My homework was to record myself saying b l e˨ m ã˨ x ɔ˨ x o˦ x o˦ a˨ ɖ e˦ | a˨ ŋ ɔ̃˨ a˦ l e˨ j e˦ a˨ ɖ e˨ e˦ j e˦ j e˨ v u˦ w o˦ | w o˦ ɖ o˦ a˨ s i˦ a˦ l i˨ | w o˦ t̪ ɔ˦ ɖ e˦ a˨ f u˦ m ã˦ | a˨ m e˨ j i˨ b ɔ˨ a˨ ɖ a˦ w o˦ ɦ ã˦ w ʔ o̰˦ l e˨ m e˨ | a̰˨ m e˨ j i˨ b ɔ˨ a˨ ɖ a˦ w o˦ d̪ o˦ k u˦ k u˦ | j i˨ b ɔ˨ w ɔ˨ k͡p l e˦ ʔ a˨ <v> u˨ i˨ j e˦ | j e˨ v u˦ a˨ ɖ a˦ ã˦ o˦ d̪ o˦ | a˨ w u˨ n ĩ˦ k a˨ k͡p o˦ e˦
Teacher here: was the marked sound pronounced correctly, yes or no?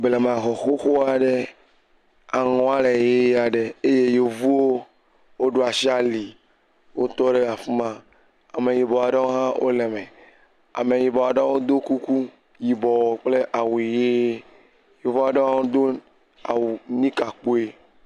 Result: no